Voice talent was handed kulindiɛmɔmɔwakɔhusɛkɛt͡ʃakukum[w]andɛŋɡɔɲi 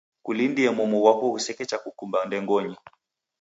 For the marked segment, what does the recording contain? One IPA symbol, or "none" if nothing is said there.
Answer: b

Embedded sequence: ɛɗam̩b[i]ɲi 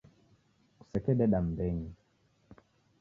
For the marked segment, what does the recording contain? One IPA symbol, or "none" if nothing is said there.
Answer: ɛ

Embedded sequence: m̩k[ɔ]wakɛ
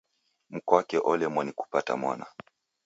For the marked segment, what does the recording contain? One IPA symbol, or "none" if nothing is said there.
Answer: ɔ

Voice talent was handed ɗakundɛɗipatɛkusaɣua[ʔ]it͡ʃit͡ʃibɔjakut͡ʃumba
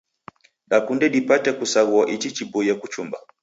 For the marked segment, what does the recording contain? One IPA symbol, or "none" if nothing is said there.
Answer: ʔ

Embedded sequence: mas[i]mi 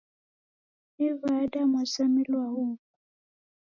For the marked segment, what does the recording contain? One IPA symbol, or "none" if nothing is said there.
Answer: a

